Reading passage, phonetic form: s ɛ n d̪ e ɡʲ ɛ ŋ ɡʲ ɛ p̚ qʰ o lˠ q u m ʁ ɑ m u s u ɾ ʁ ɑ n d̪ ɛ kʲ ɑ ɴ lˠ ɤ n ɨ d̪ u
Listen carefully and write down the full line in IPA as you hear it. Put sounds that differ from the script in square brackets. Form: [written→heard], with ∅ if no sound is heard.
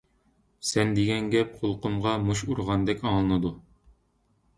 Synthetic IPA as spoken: s ɛ n d̪ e ɡʲ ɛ ŋ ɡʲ ɛ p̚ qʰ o lˠ q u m ʁ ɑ m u [s→ʃ] u ɾ ʁ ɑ n d̪ ɛ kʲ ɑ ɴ lˠ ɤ n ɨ d̪ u

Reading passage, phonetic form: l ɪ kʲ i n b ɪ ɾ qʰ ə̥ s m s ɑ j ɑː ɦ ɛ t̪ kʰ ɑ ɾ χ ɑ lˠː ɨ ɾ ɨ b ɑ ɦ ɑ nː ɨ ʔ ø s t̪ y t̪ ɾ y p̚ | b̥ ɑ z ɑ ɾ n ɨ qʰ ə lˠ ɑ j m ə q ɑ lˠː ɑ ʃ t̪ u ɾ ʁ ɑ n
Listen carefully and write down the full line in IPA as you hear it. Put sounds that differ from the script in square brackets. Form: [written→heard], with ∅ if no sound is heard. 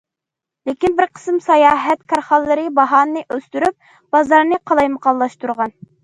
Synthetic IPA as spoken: l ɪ kʲ i n b ɪ ɾ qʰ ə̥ s m s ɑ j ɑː ɦ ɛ t̪ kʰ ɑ ɾ χ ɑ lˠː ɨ ɾ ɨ b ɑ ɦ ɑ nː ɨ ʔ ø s t̪ y [t̪→∅] ɾ y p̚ | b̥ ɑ z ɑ ɾ n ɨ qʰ [ə→ɑ] lˠ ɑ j m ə q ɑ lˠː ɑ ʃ t̪ u ɾ ʁ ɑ n

